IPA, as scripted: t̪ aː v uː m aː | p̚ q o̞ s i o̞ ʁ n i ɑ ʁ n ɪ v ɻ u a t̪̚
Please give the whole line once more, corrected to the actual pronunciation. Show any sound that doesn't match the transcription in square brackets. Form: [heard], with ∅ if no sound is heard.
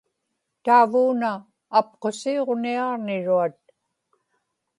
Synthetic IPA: t̪ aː v uː [n] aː | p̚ q o̞ s i o̞ ʁ n i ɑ ʁ n ɪ [∅] ɻ u a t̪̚